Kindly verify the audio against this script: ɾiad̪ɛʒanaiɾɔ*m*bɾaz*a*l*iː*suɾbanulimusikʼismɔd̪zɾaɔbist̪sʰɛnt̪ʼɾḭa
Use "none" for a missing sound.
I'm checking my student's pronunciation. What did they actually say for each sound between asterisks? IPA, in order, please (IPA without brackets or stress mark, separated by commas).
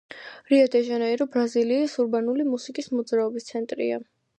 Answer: none, i, iː